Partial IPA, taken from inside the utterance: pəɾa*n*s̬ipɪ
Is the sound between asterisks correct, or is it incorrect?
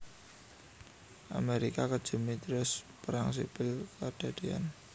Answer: incorrect